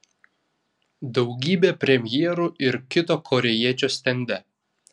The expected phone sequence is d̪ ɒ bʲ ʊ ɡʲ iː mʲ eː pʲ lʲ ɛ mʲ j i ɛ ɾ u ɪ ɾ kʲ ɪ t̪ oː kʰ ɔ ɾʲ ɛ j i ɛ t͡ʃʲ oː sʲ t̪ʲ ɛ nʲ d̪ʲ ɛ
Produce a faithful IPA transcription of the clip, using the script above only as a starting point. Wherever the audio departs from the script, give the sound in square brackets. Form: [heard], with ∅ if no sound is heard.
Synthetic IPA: d̪ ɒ [∅] ʊ ɡʲ iː [bʲ] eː pʲ [ɾʲ] ɛ mʲ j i ɛ ɾ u ɪ ɾ kʲ ɪ t̪ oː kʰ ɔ ɾʲ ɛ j i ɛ t͡ʃʲ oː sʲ t̪ʲ ɛ nʲ d̪ʲ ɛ